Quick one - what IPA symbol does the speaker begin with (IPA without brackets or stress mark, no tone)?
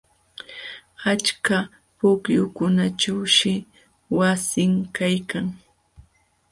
a